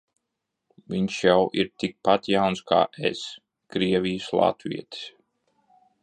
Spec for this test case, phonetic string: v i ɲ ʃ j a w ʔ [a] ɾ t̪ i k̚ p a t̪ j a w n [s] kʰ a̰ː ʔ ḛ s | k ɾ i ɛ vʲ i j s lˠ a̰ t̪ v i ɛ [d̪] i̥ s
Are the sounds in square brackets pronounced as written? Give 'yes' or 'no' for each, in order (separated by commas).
no, yes, no